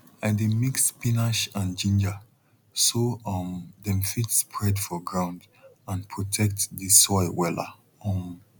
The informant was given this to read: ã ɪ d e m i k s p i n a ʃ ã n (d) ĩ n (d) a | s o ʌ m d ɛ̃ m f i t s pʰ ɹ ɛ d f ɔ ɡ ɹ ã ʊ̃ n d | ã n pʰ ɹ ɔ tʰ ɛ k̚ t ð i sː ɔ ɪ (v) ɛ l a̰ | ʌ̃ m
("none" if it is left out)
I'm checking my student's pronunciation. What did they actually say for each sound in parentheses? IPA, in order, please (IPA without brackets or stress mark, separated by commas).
d͡ʒ, d͡ʒ, w